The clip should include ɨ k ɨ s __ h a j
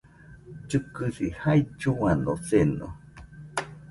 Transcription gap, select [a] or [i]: i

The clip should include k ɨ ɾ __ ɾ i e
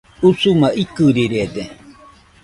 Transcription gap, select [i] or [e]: i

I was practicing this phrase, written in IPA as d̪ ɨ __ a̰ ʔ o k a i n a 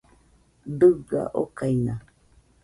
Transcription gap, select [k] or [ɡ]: ɡ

